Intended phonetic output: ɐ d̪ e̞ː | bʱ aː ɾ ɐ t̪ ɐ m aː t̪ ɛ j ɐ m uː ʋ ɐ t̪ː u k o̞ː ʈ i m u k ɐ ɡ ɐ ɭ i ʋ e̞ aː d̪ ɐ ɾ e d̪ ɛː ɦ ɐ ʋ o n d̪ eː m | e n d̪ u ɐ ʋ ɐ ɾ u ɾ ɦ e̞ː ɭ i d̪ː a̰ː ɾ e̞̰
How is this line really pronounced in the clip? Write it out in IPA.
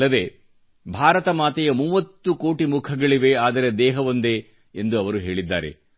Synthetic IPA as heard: ɐ d̪ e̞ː | bʱ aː ɾ ɐ t̪ ɐ m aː t̪ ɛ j ɐ m uː ʋ ɐ t̪ː u k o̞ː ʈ i m u kʰ ɐ ɡ ɐ ɭ i ʋ e̞ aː d̪ ɐ ɾ e d̪ ɛː ɦ ɐ ʋ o n d̪ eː | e n d̪ u ɐ ʋ ɐ ɾ u ɦ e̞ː ɭ i d̪ː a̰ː ɾ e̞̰